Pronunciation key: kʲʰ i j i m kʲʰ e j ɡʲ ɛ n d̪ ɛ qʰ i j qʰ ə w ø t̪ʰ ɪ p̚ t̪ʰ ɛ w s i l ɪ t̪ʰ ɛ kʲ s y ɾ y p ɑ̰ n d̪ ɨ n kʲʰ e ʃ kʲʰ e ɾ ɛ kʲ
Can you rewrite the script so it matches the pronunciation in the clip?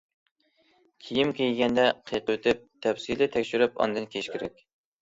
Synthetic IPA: kʲʰ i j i m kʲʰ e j ɡʲ ɛ n d̪ ɛ qʰ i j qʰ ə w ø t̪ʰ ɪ p̚ t̪ʰ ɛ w s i l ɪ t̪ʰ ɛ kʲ ʃ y ɾ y p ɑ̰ n d̪ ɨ n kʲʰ e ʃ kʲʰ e ɾ ɛ kʲ